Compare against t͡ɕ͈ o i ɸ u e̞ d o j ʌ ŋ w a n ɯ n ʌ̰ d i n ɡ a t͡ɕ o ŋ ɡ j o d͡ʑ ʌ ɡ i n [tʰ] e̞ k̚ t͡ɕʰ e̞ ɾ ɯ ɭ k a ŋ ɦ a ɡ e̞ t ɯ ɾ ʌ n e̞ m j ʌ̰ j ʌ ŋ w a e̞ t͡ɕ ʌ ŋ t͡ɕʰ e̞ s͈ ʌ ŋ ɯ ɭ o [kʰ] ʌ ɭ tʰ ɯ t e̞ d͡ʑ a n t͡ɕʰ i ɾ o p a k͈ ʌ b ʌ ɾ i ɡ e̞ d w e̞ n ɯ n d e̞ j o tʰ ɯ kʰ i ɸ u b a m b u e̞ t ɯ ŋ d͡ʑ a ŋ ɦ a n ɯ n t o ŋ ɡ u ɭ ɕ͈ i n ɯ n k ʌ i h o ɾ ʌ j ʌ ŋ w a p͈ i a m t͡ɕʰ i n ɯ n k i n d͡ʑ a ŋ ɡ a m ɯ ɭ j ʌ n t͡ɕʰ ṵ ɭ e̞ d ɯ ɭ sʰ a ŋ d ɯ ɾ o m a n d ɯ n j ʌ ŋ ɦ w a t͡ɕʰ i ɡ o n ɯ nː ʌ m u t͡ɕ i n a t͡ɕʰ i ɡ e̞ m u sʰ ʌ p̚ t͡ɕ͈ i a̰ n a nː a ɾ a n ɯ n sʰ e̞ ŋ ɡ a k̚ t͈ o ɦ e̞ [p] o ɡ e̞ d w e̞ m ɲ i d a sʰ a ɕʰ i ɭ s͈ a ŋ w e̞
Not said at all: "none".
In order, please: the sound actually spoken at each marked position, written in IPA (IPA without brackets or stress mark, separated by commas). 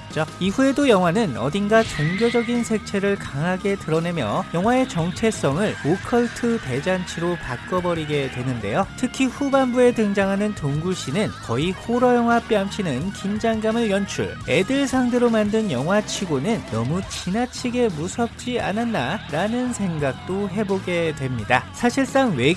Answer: sʰ, kʰ, b